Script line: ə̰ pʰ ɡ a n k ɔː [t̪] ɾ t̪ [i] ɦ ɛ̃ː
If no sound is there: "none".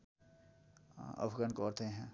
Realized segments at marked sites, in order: none, e

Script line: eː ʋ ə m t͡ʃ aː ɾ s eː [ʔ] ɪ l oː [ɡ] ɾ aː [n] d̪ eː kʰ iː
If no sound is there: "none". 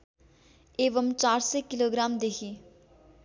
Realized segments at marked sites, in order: k, ɡ, m

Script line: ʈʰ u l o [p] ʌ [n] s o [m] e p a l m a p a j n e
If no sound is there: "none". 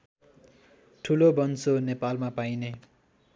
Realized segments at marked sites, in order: b, n, n

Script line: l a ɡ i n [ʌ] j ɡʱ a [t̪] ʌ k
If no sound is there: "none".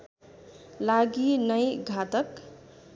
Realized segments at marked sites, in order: ʌ, t̪

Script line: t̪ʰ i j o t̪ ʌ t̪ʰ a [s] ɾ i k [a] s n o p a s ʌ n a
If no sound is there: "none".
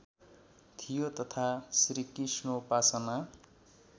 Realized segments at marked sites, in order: s, i

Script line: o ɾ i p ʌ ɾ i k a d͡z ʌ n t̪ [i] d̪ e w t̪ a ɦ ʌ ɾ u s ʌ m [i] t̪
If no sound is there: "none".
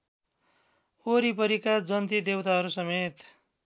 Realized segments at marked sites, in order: i, e

